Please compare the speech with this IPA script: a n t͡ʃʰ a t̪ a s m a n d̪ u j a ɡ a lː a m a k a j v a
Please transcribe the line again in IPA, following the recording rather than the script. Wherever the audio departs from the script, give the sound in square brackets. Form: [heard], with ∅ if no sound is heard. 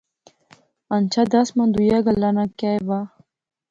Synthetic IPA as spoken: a n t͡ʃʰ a [d̪] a s m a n d̪ u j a ɡ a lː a [n] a k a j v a